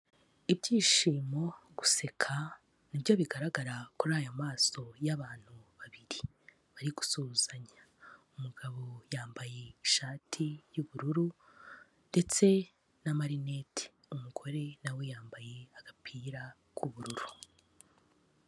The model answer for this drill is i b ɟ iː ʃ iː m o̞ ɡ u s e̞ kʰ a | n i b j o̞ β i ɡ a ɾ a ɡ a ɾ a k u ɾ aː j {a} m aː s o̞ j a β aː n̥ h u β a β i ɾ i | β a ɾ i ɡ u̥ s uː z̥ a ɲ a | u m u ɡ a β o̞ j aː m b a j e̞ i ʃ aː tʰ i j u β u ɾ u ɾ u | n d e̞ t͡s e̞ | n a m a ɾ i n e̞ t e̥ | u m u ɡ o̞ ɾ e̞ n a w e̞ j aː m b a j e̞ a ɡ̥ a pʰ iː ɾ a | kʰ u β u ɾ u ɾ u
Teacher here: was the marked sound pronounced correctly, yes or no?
yes